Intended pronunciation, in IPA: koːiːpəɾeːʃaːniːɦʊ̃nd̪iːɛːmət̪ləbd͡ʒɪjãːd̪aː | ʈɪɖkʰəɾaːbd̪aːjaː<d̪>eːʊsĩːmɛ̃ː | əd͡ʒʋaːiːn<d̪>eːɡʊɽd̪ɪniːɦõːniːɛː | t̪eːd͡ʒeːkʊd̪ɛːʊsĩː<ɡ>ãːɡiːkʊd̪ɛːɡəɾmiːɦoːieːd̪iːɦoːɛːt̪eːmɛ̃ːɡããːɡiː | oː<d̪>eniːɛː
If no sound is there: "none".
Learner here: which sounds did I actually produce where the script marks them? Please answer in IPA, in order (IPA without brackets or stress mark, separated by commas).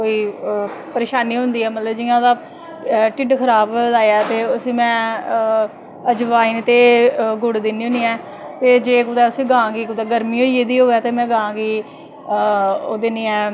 t̪, t̪, ɡ, d̪